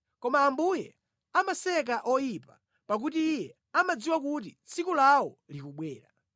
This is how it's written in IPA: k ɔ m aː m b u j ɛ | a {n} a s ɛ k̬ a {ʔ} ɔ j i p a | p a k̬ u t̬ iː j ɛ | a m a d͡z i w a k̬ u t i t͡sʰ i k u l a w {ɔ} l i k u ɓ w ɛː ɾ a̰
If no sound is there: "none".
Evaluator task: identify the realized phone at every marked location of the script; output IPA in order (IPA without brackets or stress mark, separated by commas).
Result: m, ʔ, ɔ